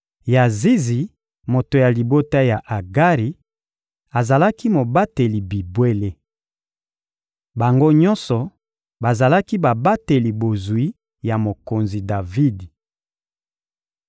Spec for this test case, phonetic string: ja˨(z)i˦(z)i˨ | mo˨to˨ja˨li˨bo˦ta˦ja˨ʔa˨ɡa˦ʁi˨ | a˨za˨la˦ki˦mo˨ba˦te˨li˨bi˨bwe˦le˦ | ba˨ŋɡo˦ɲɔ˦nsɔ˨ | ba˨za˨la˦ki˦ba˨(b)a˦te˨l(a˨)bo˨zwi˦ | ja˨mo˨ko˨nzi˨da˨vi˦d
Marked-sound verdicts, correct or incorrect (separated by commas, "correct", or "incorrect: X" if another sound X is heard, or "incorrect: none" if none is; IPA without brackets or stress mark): correct, correct, correct, incorrect: i˨